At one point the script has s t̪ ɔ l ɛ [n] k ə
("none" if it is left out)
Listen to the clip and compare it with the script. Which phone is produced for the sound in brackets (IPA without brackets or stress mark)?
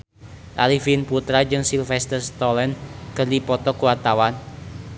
n